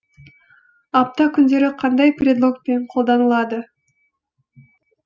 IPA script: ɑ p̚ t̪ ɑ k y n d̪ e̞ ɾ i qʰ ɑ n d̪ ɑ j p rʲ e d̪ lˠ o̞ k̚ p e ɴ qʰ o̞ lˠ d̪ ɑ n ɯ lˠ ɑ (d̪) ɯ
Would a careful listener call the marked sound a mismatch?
no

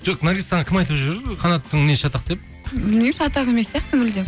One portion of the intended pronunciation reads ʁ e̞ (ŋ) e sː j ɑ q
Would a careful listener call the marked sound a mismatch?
yes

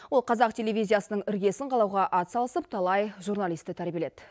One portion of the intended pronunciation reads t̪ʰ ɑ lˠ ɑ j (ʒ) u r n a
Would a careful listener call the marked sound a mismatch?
no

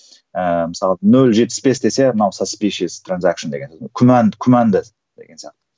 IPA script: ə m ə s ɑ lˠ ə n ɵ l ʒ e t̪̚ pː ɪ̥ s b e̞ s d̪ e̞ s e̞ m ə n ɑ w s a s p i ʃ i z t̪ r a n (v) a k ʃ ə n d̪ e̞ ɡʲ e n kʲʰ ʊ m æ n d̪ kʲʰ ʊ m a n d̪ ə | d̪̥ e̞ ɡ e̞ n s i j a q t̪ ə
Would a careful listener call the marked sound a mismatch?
yes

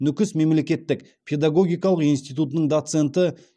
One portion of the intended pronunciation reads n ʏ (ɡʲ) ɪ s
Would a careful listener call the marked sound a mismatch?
yes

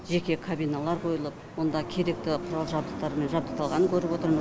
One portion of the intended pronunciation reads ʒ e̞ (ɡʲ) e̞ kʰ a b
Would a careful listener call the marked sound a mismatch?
yes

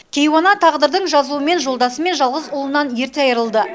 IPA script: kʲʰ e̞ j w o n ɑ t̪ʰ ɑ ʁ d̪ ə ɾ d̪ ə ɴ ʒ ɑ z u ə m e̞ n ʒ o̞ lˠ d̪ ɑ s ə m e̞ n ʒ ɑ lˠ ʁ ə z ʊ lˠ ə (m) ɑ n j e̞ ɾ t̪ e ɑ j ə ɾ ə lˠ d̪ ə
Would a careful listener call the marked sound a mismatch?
yes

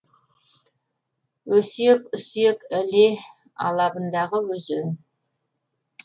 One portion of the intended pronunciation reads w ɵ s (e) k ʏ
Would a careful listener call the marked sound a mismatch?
no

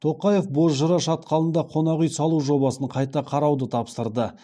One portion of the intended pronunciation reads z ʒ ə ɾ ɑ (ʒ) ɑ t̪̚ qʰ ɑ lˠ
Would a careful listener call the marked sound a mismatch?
yes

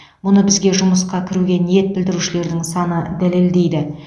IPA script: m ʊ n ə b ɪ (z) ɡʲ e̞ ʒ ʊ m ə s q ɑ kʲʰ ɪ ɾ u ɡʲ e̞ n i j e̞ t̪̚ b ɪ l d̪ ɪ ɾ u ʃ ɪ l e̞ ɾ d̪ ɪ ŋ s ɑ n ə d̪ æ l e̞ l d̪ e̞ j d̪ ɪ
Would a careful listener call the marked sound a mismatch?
no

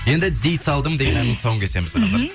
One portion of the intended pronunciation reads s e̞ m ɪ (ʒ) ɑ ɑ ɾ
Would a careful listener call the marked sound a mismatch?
yes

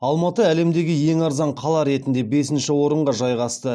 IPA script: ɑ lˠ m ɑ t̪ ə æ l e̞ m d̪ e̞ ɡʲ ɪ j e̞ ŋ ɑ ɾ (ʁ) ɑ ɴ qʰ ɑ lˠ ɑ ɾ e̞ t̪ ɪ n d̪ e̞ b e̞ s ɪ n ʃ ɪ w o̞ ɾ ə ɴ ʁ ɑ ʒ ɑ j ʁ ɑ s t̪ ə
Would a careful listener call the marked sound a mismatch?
yes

